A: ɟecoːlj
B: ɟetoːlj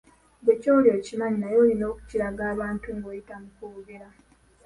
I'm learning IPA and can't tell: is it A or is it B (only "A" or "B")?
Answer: A